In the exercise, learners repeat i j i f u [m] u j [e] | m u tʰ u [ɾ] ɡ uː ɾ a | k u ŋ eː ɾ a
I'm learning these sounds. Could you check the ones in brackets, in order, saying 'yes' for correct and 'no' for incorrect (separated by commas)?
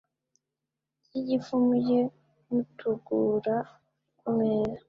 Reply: yes, yes, no